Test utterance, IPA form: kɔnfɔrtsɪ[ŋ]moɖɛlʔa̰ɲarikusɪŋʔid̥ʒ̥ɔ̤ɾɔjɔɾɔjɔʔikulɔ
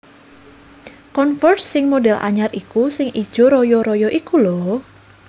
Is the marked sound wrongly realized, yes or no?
no